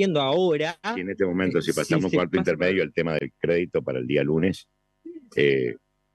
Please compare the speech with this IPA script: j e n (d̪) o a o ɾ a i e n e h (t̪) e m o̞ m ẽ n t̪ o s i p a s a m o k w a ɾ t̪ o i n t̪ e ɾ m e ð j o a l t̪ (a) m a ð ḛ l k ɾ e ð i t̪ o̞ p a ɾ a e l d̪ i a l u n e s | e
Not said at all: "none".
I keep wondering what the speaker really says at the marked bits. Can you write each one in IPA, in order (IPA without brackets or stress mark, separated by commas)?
d̪, t̪, e